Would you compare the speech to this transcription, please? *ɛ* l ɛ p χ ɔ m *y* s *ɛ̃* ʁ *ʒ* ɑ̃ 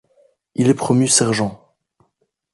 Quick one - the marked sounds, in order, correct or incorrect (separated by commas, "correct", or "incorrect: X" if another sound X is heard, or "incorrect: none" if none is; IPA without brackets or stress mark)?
incorrect: i, correct, incorrect: ɛ, correct